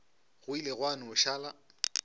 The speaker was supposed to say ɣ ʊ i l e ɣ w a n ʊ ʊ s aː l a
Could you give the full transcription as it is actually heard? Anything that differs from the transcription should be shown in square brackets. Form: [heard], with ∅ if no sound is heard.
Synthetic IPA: ɣ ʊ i l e ɣ w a n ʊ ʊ [ʃ] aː l a